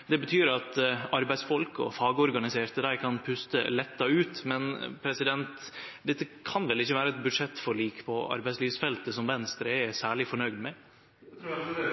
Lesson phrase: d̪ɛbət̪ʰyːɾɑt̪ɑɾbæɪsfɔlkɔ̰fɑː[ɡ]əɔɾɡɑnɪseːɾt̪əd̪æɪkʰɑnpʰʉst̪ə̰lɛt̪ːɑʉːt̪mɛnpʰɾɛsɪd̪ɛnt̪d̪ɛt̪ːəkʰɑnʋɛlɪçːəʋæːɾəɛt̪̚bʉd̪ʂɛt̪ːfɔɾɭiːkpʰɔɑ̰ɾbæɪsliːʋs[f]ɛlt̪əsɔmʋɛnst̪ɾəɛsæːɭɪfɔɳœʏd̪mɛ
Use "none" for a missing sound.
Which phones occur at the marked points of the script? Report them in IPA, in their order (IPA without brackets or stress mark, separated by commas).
ɡ, f